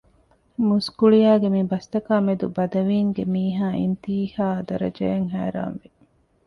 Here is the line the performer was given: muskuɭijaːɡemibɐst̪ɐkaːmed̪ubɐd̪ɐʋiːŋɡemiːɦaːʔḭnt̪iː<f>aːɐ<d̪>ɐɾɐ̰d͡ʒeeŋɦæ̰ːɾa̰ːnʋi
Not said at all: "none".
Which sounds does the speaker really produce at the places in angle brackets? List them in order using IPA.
h, d̪

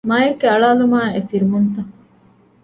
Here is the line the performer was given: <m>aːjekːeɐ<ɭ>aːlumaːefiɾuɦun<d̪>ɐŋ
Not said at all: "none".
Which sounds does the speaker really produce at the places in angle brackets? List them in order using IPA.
m, ɭ, t̪

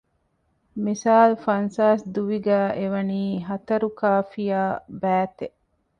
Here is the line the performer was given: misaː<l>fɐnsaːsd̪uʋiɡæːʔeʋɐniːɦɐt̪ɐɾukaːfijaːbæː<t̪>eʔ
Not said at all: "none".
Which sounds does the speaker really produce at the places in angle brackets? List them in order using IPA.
l, t̪

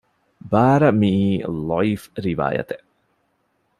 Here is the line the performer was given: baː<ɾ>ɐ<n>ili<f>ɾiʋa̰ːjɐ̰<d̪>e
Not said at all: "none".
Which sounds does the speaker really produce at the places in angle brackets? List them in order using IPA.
ɾ, m, f, t̪

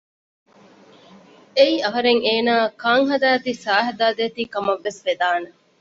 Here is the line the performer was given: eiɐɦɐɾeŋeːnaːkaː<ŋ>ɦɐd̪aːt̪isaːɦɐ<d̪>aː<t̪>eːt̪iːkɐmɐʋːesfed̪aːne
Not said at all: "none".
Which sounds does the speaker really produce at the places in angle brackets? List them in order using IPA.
ŋ, d̪, d̪

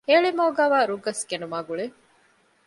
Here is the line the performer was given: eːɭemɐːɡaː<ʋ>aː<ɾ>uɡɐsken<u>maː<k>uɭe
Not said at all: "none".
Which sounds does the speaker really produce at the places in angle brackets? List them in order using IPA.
ʋ, ɾ, u, ɡ

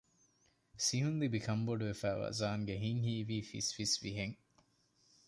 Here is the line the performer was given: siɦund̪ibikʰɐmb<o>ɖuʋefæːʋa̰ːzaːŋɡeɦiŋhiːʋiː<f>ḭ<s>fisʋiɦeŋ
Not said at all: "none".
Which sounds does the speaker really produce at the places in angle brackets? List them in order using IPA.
o, f, s

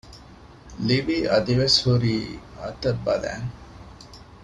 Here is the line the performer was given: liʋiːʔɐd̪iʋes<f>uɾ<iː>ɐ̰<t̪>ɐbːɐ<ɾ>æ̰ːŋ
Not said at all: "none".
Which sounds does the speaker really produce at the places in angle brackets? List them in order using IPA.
h, iː, t̪, l

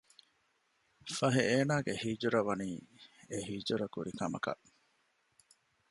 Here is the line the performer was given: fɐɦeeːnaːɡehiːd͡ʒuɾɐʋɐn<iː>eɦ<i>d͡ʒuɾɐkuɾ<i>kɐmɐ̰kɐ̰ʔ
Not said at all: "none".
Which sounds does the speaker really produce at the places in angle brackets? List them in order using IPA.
iː, iː, i

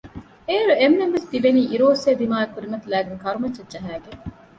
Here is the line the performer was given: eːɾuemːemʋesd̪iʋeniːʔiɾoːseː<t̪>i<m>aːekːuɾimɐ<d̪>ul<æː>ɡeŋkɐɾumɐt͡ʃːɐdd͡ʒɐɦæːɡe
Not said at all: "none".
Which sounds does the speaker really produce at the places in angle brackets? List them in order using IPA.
d̪, m, t̪, æː

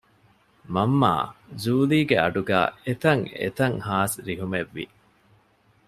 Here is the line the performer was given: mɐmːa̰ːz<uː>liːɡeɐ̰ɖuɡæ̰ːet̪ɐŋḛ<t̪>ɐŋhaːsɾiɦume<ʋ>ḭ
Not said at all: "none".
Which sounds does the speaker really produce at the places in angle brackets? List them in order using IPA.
uː, t̪, ʋː

